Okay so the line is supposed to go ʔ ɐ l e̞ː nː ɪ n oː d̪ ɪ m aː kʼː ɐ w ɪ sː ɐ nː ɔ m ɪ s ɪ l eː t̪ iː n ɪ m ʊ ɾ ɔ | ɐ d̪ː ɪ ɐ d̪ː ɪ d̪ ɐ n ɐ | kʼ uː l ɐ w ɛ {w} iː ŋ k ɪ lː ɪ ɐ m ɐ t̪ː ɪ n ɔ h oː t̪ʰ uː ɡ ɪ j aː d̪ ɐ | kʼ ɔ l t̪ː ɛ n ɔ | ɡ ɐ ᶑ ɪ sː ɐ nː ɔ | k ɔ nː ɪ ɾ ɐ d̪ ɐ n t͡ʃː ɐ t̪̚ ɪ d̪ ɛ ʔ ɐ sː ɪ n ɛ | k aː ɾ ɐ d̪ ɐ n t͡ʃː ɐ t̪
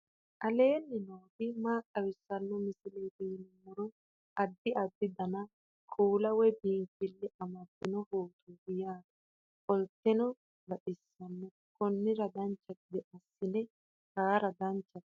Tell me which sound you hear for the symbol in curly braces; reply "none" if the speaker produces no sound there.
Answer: b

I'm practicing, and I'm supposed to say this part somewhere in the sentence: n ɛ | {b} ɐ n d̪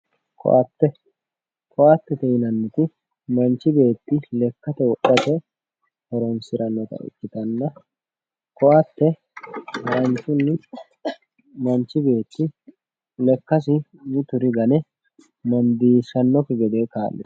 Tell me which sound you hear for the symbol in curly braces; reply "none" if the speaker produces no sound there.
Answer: m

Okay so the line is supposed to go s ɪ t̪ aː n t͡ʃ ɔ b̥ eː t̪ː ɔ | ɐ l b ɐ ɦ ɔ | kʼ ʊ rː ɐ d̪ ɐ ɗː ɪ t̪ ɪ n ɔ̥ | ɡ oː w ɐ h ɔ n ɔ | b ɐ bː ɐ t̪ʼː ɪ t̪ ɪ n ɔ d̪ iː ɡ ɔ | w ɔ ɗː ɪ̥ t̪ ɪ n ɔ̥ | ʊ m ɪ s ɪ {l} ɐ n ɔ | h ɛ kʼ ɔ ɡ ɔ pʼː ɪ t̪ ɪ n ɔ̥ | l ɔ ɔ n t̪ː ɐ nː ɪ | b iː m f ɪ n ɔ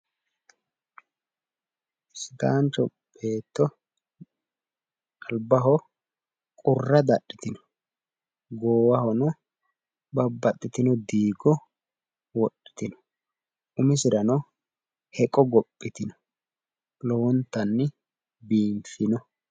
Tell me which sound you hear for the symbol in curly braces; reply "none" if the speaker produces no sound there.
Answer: ɾ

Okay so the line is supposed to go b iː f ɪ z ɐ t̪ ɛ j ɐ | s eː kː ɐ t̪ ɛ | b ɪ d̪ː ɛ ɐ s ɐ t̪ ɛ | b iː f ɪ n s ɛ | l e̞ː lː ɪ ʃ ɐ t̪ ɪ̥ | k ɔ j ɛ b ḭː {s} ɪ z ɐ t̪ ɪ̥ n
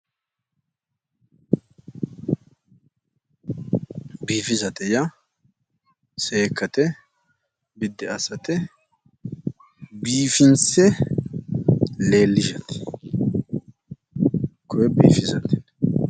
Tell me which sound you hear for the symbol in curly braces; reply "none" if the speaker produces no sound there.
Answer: f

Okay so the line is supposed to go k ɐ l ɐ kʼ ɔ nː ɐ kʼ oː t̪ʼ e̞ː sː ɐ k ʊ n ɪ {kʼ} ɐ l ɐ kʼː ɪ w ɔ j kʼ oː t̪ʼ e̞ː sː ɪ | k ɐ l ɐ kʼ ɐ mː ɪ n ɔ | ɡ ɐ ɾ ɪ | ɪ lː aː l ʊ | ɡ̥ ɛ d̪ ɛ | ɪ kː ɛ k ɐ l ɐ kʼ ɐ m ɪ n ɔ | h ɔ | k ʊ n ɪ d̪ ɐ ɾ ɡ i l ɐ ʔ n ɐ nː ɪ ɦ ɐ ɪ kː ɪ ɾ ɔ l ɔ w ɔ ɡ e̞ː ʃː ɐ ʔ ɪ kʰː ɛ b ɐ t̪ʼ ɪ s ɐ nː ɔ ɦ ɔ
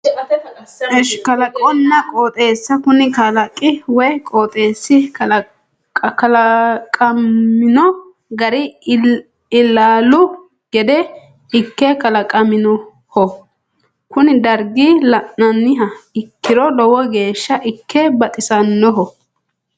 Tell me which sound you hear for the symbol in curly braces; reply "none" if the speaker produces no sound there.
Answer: k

